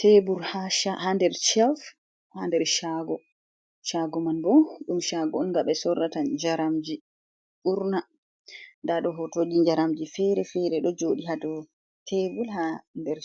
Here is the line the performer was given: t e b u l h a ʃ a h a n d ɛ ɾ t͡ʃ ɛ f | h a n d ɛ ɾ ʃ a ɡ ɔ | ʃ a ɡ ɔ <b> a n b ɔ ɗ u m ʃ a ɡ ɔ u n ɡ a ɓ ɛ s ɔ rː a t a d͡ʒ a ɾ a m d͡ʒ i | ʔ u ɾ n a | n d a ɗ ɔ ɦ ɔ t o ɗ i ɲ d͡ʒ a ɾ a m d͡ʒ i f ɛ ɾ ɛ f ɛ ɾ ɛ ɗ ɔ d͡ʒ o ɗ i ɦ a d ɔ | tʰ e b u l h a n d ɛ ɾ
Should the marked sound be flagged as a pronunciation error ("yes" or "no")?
yes